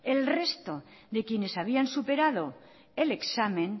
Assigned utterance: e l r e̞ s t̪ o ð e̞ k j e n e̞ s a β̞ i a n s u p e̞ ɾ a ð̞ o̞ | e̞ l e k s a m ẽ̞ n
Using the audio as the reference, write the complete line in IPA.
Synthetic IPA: e l r e̞ s t̪ o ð e̞ k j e n e̞ s a β̞ i a n s u p e̞ ɾ a ð̞ o̞ | e̞ l e k s a m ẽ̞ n